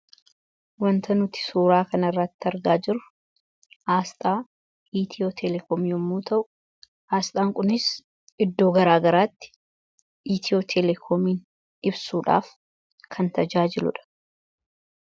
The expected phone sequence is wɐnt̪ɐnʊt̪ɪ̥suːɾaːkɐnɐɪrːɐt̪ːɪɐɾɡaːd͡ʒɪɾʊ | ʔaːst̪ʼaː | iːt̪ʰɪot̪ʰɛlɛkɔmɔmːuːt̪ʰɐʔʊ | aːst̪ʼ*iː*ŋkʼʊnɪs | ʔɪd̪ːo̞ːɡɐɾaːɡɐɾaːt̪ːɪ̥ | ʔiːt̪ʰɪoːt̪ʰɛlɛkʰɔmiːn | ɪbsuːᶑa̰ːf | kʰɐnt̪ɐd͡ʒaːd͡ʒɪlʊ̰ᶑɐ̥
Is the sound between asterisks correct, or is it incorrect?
incorrect